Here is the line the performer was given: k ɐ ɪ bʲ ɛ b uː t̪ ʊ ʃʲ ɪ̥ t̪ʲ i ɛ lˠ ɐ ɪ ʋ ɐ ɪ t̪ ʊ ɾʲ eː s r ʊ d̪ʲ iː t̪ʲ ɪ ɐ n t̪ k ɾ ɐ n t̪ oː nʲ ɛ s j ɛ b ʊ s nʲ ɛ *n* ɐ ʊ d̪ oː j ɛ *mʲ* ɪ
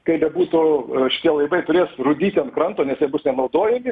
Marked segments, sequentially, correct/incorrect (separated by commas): correct, correct